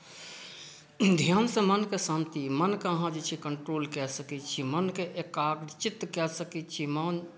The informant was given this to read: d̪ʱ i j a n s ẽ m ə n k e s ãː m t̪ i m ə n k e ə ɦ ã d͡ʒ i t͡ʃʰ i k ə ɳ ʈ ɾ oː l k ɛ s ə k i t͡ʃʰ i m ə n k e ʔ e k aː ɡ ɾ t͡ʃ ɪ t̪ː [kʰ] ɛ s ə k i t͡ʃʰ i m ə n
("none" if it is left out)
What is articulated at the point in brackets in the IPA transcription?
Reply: k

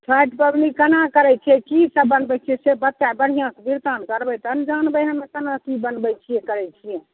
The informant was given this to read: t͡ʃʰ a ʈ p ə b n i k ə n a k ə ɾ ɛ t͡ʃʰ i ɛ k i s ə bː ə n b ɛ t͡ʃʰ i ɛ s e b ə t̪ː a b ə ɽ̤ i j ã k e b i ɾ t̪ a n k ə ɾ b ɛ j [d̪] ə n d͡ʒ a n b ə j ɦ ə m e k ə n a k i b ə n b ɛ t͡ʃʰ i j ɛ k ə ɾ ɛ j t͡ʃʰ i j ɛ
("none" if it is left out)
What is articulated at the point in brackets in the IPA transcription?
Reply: t̪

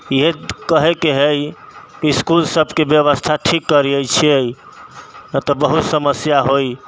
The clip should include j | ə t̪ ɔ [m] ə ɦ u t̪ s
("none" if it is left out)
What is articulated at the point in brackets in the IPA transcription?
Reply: b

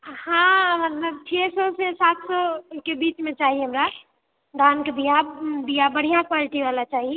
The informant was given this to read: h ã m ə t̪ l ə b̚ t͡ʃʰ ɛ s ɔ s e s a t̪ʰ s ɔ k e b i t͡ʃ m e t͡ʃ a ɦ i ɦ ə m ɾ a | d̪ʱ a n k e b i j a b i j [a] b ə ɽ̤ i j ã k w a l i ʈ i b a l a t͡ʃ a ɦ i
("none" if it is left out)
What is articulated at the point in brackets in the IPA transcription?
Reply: a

